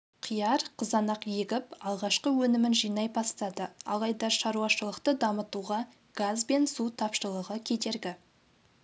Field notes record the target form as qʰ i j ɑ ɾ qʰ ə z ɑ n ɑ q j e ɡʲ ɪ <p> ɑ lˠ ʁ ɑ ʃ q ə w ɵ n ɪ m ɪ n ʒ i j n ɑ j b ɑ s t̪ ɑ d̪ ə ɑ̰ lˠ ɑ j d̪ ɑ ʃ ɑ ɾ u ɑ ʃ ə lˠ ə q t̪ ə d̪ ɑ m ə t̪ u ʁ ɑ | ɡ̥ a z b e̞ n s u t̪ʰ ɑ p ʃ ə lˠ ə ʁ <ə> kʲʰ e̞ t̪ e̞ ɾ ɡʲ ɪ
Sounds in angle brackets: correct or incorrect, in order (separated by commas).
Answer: correct, correct